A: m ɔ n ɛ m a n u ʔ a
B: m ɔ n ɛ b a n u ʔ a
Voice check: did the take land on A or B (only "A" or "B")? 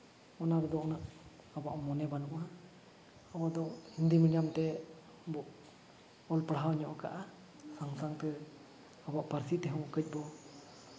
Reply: B